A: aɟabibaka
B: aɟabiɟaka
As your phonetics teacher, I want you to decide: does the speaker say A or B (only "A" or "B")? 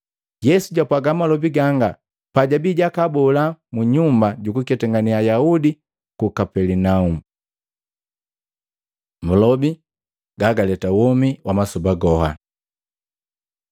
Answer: B